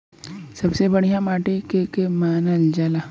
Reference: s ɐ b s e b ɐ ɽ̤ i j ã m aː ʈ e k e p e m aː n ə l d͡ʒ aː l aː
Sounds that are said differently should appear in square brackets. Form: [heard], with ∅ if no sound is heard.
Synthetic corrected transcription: s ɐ b s e b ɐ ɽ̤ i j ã m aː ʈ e k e [k] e m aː n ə l d͡ʒ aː l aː